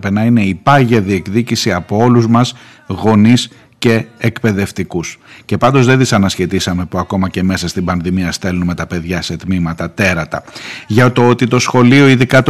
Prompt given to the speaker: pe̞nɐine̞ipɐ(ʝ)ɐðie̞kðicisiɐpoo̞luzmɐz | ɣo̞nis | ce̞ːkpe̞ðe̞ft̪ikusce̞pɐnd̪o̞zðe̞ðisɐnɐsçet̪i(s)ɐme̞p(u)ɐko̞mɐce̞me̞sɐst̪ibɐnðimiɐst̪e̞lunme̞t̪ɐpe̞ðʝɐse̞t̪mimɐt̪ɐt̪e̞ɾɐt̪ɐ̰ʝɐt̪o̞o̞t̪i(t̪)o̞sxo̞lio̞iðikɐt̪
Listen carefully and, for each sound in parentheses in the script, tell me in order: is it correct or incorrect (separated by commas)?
correct, correct, correct, correct